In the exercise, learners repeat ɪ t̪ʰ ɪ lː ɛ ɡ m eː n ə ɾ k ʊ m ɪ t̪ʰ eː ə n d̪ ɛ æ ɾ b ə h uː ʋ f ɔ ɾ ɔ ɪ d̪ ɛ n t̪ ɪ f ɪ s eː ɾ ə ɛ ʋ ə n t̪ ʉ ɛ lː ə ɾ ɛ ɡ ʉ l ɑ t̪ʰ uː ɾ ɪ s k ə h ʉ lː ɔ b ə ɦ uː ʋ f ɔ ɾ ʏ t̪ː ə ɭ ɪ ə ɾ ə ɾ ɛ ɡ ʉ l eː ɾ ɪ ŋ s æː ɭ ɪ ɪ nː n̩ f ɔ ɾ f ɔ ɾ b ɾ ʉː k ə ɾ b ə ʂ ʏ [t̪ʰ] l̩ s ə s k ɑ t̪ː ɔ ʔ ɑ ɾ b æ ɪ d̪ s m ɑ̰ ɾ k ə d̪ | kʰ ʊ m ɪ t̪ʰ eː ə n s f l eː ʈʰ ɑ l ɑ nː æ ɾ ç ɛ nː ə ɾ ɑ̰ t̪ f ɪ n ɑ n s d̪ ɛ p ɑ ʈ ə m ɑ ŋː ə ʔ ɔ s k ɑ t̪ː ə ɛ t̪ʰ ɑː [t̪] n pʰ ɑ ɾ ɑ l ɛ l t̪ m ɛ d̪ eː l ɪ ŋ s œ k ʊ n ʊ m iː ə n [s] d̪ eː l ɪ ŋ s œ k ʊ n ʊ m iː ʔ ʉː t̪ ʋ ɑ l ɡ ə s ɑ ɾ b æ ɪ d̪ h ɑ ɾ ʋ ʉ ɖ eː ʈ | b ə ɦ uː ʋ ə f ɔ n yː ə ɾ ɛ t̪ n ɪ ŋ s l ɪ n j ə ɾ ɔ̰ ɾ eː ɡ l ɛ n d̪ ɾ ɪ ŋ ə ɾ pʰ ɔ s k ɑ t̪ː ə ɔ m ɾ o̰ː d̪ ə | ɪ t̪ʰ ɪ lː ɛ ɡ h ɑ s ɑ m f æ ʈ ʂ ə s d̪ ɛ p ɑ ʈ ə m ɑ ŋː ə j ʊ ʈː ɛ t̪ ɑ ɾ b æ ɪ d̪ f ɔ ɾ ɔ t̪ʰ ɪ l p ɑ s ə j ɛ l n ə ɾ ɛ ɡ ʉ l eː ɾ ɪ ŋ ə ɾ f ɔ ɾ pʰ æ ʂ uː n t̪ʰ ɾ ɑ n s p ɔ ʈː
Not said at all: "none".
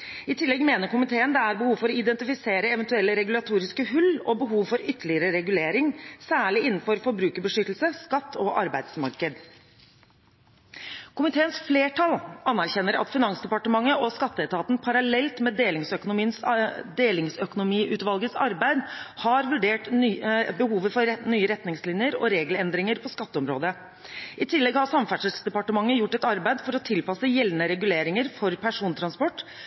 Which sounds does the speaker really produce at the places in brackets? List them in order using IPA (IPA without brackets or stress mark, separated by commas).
t̪, t̪, s